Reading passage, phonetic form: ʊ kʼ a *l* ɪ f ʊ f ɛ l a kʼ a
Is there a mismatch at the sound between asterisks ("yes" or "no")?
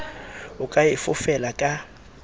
yes